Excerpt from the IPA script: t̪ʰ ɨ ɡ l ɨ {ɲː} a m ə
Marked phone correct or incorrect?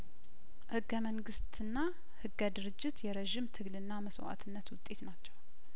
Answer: incorrect